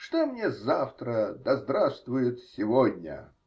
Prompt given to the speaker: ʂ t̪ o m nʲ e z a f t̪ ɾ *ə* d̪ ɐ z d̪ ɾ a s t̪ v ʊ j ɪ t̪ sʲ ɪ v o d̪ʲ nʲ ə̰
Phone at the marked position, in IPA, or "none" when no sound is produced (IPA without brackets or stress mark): ə